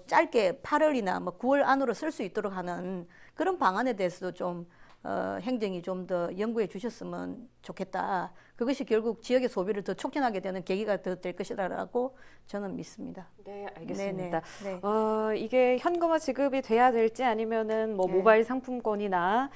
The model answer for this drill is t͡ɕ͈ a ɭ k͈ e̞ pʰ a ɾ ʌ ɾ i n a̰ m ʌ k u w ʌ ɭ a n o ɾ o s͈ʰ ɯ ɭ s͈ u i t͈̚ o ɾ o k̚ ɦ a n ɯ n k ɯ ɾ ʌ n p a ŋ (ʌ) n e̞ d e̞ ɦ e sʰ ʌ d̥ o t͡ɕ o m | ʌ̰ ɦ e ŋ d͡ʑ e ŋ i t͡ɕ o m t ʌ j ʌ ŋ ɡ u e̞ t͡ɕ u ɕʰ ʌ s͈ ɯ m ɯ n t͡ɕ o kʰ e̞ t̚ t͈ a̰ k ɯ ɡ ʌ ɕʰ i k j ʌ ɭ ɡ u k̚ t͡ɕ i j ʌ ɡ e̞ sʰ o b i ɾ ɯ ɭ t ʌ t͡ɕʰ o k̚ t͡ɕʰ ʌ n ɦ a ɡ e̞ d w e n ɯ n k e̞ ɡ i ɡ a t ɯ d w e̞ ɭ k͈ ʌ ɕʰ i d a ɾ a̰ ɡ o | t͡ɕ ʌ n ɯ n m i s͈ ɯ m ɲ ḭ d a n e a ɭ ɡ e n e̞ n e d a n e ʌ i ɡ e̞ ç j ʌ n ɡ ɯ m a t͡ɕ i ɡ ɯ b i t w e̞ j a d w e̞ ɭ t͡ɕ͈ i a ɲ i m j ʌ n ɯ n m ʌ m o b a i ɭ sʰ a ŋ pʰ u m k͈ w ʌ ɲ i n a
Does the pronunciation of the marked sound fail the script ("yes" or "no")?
yes